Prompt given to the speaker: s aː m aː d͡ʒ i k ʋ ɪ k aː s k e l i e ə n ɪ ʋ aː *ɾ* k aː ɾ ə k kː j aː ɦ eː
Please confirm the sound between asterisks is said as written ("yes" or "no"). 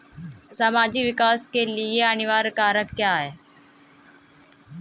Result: yes